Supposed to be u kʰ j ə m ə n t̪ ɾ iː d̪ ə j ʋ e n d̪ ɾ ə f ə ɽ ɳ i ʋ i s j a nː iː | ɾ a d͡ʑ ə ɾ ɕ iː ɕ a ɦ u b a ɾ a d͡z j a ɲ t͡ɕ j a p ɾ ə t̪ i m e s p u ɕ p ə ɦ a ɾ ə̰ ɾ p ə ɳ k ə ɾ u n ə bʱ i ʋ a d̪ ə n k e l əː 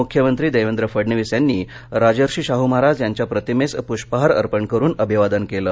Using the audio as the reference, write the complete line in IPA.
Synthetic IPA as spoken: u kʰ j ə m ə n t̪ ɾ iː d̪ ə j ʋ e n d̪ ɾ ə f ə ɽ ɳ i ʋ i s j a nː iː | ɾ a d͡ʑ ə ɾ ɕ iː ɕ a ɦ u m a ɾ a d͡z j a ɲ t͡ɕ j a p ɾ ə t̪ i m e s p u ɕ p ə ɦ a ɾ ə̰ ɾ p ə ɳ k ə ɾ uː n ə bʱ i ʋ a d̪ ə n k e l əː